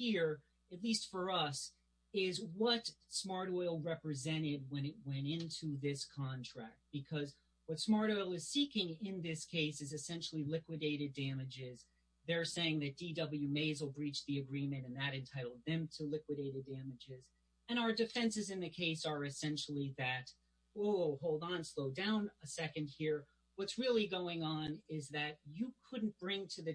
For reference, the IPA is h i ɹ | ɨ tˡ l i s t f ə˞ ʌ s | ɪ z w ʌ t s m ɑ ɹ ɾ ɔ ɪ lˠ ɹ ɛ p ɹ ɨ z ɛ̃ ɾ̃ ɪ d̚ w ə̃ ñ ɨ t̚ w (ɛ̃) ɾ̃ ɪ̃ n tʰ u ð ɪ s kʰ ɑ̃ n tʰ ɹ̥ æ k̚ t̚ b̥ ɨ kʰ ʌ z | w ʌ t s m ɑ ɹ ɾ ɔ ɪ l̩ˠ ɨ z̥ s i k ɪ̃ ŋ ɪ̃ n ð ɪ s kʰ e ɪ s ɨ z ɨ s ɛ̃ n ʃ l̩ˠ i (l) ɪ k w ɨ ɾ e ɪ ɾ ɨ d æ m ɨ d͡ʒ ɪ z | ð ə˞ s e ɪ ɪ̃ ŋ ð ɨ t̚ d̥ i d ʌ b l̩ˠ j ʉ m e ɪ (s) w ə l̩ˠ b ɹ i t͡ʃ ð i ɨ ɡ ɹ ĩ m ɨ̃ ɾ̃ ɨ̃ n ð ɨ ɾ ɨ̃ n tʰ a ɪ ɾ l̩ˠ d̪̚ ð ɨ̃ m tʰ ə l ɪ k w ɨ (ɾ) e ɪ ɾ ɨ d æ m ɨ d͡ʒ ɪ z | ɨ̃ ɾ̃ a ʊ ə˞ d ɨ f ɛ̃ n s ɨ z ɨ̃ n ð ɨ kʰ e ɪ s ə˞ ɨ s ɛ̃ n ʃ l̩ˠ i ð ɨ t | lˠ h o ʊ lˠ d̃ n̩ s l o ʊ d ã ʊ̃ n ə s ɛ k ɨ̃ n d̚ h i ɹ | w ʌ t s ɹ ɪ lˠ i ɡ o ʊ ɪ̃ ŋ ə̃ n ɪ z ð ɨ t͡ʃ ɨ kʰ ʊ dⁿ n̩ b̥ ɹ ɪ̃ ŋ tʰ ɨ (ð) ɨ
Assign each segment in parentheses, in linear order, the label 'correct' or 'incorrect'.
correct, correct, incorrect: z, correct, correct

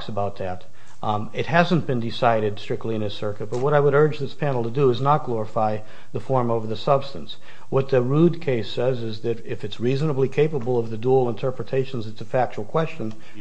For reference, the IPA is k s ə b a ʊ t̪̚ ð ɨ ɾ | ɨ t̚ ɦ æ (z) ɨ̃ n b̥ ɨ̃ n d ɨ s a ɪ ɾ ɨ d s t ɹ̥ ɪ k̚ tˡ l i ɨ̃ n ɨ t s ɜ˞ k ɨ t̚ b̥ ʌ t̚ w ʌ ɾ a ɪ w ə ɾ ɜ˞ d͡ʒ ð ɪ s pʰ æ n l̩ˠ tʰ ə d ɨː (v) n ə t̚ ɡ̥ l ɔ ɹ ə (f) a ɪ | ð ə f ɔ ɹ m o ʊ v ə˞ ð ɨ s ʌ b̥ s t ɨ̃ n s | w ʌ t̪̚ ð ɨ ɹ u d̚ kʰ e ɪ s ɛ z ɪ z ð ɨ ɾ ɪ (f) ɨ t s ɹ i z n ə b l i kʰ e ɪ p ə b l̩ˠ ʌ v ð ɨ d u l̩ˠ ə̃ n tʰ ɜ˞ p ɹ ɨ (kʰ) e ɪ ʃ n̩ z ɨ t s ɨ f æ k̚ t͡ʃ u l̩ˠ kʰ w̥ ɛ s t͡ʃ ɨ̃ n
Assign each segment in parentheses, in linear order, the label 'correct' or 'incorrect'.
correct, incorrect: z, correct, correct, incorrect: tʰ

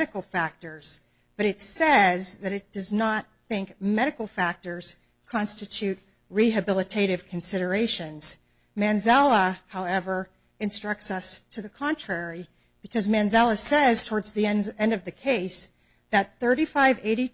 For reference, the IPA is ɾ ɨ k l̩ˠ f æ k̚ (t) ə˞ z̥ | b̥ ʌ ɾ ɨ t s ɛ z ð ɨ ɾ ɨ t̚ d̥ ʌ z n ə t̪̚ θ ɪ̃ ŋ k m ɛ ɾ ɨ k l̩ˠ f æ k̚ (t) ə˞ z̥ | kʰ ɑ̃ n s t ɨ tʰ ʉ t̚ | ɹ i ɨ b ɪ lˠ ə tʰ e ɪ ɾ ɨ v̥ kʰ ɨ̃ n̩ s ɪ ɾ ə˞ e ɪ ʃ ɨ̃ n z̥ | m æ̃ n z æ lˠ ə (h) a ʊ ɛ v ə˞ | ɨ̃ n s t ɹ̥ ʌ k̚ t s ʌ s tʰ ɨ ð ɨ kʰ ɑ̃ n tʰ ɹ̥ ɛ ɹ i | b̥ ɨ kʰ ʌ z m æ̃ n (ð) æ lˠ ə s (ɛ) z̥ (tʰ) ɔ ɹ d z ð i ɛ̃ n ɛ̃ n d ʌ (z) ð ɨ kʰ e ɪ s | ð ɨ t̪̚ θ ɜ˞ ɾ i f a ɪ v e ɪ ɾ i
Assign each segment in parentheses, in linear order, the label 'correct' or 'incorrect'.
correct, correct, correct, incorrect: z, correct, correct, incorrect: v

